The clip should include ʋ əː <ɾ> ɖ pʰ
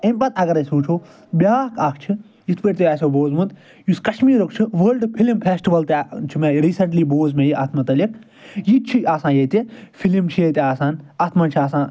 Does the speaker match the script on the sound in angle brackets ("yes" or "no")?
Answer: no